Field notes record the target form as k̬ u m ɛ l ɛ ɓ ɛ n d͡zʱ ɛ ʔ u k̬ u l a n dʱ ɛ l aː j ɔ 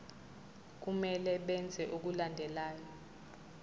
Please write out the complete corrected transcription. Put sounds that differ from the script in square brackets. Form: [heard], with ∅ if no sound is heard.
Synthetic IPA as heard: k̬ u m ɛ l ɛ ɓ ɛ n d͡zʱ ɛ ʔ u k̬ u l a n dʱ ɛ l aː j ɔ